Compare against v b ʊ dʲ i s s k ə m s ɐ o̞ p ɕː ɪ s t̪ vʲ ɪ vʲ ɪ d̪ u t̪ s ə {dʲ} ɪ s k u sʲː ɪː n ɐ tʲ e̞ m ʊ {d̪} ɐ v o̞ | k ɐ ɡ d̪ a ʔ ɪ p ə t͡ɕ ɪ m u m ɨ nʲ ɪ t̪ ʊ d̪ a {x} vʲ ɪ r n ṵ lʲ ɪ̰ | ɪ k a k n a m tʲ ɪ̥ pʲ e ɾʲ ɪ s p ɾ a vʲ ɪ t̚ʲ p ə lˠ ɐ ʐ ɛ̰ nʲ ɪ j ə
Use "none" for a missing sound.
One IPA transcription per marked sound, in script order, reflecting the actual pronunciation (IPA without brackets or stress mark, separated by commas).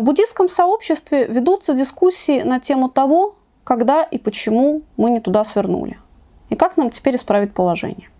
dʲ, t̪, s